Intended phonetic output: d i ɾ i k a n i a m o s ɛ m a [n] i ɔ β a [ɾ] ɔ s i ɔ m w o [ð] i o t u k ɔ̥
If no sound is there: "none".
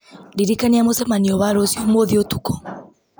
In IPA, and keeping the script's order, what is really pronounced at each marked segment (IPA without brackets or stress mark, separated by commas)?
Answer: n, ɾ, ð